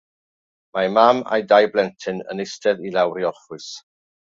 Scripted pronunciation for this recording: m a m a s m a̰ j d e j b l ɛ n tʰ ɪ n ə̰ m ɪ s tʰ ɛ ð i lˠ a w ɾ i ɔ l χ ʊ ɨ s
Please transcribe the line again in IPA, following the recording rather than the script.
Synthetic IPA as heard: m a m a m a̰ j d a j b l ɛ n tʰ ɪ n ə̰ n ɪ s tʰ ɛ ð i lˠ a w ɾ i ɔ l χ ʊ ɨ s